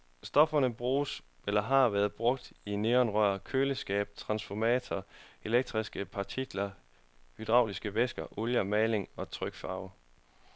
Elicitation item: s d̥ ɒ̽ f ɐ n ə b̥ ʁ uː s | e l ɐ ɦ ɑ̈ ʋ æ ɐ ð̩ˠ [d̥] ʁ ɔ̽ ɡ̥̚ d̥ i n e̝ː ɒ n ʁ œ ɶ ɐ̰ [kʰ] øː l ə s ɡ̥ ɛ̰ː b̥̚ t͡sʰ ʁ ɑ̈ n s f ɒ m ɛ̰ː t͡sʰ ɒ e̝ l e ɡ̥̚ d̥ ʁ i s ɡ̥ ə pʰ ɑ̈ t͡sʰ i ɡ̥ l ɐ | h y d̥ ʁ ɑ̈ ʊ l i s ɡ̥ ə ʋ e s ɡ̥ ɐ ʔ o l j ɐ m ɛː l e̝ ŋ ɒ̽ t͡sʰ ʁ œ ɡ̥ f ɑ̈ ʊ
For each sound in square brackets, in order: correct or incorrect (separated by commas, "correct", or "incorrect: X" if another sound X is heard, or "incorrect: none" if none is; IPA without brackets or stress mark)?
incorrect: b̥, correct